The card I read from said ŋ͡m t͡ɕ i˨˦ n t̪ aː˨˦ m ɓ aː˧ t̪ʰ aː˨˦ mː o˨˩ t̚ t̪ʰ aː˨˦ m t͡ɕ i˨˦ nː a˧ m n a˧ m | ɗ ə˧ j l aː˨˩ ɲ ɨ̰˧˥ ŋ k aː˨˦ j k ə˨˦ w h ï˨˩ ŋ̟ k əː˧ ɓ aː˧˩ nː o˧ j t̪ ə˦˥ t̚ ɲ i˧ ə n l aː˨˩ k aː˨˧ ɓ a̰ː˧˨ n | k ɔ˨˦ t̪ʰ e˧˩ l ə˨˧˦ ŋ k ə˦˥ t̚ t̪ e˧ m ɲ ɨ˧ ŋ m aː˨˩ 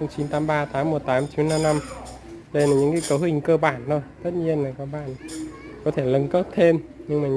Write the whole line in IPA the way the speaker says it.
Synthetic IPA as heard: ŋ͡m t͡ɕ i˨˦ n t̪ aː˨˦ m ɓ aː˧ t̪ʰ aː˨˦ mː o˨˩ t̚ t̪ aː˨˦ m t͡ɕ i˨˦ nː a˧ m n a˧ m | ɗ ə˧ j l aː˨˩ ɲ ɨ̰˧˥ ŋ k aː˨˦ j k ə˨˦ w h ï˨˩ ŋ̟ k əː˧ ɓ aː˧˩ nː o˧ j t̪ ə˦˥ t̚ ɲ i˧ ə n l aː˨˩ k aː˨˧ ɓ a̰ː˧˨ n | k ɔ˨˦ t̪ʰ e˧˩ l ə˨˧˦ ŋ k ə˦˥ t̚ t̪ʰ e˧ m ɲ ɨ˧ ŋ m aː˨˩